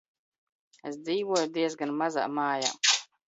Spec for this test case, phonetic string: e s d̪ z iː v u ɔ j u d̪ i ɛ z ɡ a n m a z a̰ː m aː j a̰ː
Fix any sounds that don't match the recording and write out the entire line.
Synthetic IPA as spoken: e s d̪ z iː v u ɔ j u d̪ i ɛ z ɡ a n m a z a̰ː m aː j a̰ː